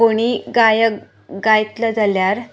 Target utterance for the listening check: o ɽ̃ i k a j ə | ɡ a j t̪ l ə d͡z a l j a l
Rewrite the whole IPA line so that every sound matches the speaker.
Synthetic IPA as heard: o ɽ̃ i ɡ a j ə | ɡ a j t̪ l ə d͡z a l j a ɾ